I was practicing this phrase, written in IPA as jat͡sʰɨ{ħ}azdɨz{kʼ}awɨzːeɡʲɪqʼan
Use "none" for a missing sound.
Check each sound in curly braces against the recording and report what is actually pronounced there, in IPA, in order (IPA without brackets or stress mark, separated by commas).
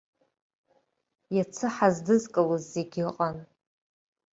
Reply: ħ, kʼ